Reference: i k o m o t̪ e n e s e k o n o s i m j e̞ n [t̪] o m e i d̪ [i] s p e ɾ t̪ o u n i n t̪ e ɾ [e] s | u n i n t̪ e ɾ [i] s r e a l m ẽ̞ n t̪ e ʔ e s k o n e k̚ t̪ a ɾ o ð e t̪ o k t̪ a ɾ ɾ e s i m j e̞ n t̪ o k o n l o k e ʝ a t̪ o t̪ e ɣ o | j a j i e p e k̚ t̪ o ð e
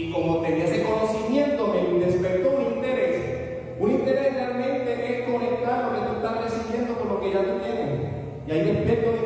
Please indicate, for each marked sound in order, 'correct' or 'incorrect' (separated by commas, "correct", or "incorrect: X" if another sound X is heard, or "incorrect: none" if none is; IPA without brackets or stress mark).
correct, incorrect: e, correct, incorrect: e